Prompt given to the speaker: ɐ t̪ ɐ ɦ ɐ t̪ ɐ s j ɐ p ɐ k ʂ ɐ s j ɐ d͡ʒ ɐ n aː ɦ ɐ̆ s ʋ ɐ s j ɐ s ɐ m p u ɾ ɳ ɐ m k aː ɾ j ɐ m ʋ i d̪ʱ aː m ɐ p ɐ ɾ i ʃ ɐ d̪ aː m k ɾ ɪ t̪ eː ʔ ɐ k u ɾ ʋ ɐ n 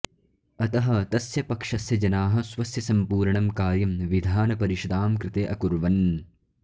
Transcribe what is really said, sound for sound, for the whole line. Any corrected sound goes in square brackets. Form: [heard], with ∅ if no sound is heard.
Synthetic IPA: ɐ t̪ ɐ ɦ ɐ t̪ ɐ s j ɐ p ɐ k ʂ ɐ s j ɐ d͡ʒ ɐ n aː ɦ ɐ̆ s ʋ ɐ s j ɐ s ɐ m p [uː] ɾ ɳ ɐ m k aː ɾ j ɐ m ʋ i d̪ʱ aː [n] ɐ p ɐ ɾ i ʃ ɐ d̪ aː m k ɾ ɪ t̪ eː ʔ ɐ k u ɾ ʋ ɐ n